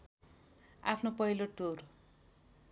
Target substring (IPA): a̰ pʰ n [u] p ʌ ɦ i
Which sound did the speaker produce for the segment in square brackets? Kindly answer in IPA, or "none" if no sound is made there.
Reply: o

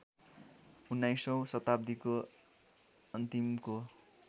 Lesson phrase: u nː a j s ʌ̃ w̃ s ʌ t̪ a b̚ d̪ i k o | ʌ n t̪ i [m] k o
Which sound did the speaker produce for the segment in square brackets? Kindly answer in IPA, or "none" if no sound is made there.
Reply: m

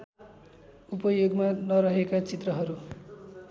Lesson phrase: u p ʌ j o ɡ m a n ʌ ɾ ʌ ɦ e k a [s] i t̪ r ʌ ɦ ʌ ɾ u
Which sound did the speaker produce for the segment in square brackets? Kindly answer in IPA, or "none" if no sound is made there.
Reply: t͡s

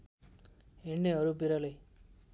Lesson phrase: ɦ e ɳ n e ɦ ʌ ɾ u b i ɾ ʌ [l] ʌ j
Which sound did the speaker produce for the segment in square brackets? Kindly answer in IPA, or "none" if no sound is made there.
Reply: l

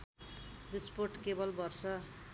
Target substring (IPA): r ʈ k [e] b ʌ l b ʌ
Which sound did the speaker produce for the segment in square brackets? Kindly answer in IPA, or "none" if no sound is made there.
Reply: e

